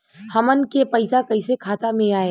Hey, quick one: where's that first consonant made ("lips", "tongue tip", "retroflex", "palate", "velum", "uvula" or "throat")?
throat